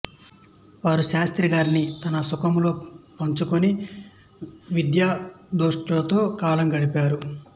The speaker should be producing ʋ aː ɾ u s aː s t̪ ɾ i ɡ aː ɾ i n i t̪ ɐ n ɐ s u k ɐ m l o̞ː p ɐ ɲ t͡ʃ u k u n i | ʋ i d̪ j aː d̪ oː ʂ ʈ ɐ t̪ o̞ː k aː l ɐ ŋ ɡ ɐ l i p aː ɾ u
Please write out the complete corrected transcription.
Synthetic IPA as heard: ʋ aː ɾ u ʃ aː s t̪ ɾ i ɡ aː ɾ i n i t̪ ɐ n ɐ s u k ɐ m l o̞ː p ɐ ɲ t͡ʃ u k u n i | ʋ i d̪ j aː d̪ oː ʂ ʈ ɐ t̪ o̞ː k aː l ɐ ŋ ɡ ɐ ɽ i p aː ɾ u

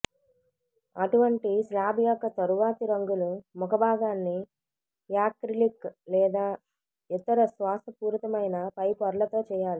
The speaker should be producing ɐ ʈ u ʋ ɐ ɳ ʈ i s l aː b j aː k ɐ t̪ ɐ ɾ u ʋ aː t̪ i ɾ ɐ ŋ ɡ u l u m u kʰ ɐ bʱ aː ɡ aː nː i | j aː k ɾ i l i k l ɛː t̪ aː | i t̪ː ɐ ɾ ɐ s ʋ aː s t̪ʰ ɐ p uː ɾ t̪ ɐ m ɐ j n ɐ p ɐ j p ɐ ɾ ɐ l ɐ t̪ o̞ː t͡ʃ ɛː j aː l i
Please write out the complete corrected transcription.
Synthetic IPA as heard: ɐ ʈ u ʋ ɐ ɳ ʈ i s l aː b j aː k ɐ t̪ ɐ ɾ u ʋ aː t̪ i ɾ ɐ ŋ ɡ u l u m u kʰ ɐ bʱ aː ɡ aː nː i | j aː k ɾ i l i k l ɛː d̪ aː | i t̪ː ɐ ɾ ɐ s ʋ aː s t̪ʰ ɐ p uː ɾ t̪ ɐ m ɐ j n ɐ p ɐ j p ɐ ɾ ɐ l ɐ t̪ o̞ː t͡ʃ ɛː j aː l i

